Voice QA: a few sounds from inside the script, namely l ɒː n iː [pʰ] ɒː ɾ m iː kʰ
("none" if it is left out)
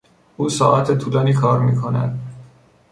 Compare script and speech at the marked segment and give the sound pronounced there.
kʰ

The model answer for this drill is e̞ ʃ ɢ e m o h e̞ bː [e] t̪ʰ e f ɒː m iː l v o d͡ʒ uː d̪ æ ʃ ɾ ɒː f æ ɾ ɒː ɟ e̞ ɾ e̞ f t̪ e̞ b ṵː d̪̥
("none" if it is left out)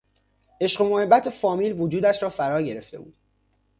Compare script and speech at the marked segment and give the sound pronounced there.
æ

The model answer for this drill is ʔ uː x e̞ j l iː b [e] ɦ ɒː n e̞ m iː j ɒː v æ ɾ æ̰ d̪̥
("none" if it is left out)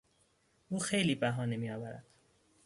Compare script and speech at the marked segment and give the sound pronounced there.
æ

